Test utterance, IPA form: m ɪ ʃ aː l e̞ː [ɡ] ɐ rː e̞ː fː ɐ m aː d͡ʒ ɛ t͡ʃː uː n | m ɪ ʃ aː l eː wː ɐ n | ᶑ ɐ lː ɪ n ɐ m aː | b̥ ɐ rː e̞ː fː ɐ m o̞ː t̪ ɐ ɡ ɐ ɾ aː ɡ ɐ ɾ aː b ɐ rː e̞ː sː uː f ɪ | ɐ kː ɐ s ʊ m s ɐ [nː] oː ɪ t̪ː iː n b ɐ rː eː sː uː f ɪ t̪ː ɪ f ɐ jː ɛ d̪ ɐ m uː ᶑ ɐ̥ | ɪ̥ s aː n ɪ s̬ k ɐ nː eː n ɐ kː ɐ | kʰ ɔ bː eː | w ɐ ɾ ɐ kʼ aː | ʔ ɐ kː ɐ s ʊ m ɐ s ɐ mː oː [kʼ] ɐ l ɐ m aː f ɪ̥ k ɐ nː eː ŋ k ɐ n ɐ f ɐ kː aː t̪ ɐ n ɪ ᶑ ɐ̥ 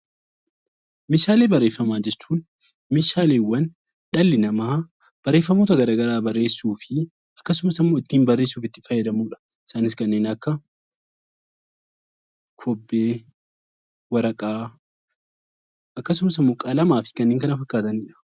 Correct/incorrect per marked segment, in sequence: incorrect: b, incorrect: mː, correct

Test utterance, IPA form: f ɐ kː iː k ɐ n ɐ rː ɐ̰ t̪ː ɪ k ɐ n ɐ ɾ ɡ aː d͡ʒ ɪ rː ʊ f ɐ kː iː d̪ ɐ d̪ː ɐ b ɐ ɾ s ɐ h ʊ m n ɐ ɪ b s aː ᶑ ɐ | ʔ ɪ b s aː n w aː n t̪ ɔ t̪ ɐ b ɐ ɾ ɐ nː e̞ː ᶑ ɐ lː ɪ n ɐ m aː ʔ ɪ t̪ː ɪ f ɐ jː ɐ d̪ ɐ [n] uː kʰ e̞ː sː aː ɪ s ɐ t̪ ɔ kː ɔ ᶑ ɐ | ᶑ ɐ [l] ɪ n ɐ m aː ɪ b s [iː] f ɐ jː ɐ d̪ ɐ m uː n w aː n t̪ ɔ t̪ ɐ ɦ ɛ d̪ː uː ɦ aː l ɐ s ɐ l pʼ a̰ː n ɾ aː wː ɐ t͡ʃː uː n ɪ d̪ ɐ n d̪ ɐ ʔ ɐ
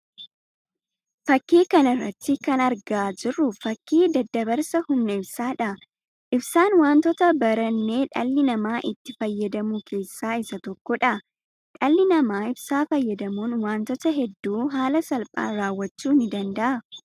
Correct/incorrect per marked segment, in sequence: incorrect: m, incorrect: lː, incorrect: aː

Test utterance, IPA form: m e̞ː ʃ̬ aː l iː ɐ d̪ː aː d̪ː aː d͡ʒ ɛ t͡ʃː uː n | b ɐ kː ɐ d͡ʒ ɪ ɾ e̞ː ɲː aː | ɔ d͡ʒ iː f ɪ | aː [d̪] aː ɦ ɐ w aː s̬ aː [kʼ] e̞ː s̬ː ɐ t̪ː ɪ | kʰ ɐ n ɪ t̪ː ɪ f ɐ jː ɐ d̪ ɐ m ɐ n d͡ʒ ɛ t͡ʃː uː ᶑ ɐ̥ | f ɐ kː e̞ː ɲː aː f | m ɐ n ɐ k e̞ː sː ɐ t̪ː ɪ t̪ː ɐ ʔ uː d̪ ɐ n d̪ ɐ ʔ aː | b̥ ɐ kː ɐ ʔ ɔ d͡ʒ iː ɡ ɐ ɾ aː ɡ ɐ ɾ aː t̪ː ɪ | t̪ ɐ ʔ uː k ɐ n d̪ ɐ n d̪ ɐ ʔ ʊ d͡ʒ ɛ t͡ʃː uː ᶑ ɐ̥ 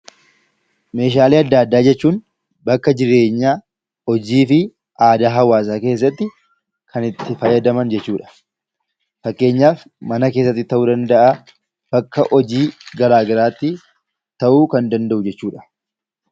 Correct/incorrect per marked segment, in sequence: correct, incorrect: k

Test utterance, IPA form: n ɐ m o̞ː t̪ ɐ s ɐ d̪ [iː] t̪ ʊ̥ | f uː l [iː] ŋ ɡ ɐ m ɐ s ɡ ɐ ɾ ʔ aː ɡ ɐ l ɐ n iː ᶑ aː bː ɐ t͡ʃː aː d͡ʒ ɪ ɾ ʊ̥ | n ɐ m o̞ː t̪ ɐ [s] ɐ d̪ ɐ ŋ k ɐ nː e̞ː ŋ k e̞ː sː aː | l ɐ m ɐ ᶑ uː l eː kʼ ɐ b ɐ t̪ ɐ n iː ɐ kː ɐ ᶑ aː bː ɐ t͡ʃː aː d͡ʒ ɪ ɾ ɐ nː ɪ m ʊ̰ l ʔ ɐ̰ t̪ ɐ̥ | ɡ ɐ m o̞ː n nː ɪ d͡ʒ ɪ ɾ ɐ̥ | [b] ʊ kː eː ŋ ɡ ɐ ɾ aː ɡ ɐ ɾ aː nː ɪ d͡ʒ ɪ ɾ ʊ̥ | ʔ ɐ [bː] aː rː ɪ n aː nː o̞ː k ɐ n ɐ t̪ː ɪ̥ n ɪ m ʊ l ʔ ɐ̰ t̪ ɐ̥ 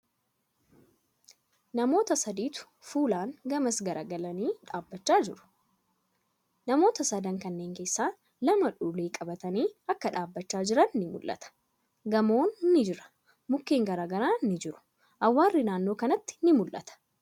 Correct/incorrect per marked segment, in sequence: correct, incorrect: aː, correct, incorrect: m, incorrect: wː

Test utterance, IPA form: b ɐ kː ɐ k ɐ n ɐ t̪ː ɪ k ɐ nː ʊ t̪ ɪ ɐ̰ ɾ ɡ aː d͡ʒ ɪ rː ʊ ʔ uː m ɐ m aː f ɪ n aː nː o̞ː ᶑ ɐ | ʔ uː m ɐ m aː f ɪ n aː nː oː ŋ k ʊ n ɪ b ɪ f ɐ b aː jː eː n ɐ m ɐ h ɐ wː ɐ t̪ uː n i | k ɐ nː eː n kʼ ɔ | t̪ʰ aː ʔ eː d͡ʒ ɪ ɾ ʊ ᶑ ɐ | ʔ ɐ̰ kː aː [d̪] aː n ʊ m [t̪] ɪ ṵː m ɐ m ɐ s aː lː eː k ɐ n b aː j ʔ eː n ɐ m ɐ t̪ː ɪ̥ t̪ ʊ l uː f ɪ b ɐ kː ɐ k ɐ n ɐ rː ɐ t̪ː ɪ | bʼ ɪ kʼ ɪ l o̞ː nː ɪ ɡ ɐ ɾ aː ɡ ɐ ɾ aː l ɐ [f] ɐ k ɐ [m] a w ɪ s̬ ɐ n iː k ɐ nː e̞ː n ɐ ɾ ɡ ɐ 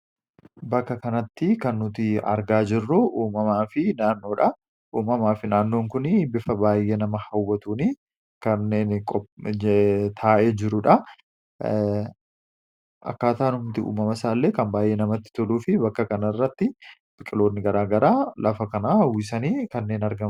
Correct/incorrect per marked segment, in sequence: incorrect: t̪, correct, correct, incorrect: n

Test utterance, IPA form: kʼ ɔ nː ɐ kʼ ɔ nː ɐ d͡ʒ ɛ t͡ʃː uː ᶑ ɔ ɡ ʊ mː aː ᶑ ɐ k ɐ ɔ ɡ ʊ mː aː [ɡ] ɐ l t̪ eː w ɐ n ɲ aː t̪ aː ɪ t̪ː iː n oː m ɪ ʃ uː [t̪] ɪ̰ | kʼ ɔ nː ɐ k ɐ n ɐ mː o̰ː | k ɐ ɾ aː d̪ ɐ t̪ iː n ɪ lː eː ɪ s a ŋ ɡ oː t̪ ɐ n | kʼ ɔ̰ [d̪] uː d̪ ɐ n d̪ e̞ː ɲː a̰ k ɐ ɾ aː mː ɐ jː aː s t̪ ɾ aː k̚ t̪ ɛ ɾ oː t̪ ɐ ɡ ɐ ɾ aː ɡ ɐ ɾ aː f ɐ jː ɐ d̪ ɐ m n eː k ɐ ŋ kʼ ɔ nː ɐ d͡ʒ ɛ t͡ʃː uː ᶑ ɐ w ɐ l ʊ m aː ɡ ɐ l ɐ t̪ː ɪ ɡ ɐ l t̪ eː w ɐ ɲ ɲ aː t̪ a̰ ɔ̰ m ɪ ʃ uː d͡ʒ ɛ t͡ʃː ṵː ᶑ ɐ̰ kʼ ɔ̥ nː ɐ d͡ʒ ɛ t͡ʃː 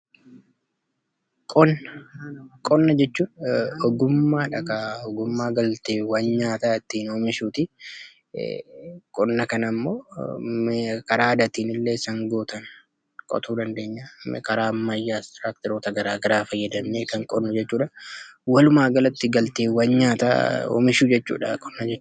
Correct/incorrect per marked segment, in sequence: correct, correct, incorrect: t̪

